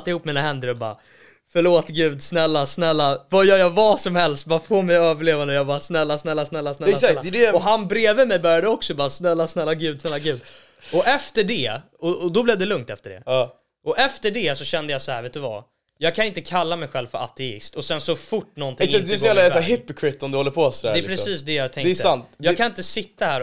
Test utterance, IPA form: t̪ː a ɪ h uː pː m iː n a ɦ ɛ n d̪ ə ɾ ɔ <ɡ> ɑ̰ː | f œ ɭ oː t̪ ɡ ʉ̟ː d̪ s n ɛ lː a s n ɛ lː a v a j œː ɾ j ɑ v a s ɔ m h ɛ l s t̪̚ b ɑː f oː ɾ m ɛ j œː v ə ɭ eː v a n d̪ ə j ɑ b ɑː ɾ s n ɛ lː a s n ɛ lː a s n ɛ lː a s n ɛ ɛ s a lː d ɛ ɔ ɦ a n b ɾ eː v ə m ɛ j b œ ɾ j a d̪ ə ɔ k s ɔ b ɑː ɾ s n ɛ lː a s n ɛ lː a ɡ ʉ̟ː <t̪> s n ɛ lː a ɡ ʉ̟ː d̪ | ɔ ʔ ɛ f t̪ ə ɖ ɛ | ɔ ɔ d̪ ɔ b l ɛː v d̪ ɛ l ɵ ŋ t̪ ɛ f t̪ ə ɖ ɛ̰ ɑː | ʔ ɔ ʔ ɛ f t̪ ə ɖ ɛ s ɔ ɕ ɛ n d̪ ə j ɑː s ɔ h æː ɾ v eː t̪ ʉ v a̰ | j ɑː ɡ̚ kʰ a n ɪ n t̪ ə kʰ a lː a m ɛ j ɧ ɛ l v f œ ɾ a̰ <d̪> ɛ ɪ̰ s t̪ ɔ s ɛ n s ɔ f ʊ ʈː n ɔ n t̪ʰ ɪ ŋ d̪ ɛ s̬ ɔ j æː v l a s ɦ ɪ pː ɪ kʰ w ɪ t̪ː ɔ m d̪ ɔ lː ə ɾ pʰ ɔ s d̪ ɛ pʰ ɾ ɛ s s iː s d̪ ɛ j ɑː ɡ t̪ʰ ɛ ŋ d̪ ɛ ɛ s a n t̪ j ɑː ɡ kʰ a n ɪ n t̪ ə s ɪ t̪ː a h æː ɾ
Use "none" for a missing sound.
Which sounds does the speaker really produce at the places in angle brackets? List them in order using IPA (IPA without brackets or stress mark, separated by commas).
b, d̪, t̪